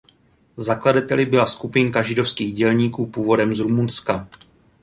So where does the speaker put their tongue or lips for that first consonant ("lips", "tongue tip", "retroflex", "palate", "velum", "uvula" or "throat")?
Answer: tongue tip